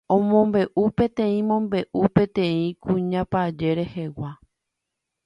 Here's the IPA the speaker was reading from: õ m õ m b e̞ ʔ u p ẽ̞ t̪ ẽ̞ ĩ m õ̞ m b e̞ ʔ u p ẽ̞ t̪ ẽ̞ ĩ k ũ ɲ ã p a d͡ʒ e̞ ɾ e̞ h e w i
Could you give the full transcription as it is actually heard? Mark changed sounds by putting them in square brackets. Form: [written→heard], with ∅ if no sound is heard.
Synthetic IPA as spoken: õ m õ m b e̞ ʔ u p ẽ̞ t̪ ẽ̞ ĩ m õ̞ m b e̞ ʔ u p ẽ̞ t̪ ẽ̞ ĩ k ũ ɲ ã p a d͡ʒ e̞ ɾ e̞ h e w [i→a]